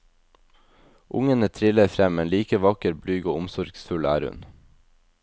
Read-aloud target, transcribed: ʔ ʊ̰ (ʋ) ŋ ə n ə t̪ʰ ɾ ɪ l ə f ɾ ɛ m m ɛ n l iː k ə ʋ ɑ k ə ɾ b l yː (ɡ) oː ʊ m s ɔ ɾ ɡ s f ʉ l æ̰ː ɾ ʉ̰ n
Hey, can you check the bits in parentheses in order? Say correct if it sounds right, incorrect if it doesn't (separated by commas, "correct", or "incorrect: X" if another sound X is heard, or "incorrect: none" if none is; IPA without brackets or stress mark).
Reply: incorrect: none, correct